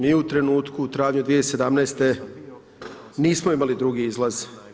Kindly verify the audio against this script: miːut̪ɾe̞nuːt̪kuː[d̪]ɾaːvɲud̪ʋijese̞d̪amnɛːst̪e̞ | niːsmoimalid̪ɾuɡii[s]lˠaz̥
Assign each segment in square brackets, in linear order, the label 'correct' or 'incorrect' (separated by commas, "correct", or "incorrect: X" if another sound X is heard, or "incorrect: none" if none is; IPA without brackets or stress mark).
incorrect: t̪, incorrect: z